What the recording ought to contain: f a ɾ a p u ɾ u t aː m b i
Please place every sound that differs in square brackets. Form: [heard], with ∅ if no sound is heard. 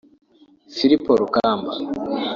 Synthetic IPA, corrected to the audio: f [i] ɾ [i] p [o] ɾ u [k] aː m b [a]